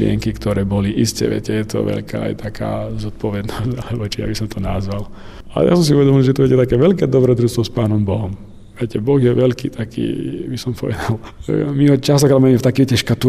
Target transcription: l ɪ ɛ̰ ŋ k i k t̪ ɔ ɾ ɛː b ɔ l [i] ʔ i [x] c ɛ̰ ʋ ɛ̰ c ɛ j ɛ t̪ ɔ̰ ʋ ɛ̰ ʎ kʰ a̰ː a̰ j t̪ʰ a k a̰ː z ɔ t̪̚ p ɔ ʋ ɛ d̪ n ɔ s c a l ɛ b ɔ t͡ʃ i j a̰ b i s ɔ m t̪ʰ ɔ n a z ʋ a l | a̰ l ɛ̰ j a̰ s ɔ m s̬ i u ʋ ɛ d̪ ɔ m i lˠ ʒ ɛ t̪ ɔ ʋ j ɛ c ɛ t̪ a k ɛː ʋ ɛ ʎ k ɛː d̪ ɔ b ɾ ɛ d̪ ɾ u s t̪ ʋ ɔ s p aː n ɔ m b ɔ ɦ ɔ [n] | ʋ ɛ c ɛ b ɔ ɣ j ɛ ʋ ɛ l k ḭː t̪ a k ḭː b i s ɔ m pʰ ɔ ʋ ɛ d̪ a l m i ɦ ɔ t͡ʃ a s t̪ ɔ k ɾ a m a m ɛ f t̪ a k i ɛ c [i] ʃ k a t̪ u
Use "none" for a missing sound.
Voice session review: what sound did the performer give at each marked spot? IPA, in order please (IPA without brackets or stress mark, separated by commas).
i, s, m, ɛ